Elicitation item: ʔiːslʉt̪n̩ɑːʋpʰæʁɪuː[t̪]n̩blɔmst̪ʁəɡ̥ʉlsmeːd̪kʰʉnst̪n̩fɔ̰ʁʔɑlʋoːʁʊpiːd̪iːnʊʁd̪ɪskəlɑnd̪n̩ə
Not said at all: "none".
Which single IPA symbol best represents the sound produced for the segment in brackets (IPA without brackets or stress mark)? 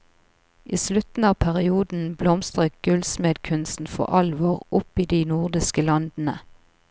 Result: d̪